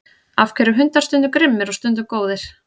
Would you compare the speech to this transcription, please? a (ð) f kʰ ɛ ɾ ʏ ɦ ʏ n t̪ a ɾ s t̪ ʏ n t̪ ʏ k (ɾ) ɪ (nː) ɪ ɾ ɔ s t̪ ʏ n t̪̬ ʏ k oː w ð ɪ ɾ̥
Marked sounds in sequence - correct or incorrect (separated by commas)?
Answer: incorrect, correct, incorrect